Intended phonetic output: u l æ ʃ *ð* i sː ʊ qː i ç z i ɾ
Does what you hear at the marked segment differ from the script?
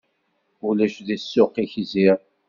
no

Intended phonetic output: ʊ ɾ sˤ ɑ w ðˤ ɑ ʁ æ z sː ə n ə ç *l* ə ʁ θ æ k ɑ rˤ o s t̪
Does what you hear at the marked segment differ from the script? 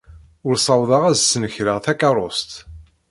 yes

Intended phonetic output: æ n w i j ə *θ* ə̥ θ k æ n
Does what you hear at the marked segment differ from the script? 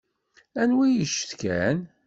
yes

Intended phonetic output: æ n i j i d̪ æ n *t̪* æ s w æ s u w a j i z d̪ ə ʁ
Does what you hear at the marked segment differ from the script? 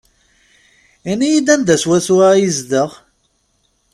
yes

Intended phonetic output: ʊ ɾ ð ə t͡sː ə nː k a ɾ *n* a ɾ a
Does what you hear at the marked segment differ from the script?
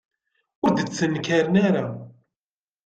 no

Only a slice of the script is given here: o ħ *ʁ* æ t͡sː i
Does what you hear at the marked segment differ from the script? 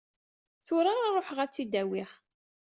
no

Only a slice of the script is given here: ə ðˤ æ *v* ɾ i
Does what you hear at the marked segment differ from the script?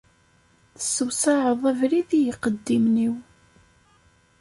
no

